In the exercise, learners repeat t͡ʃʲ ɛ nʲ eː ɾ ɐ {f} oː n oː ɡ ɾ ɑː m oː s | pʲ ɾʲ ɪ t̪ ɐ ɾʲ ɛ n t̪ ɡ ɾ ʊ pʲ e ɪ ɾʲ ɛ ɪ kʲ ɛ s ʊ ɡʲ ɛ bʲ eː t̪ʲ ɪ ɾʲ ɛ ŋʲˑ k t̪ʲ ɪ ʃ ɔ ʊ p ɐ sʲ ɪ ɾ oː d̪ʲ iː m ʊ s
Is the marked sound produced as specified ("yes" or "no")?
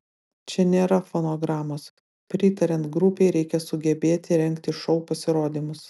yes